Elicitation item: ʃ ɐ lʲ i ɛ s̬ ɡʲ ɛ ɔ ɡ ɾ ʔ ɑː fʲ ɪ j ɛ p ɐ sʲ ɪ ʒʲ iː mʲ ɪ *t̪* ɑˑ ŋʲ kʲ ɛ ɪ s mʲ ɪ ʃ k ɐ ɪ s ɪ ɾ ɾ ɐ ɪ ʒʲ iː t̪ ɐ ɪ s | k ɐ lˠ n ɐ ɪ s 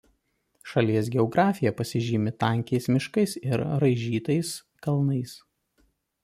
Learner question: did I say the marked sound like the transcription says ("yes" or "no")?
yes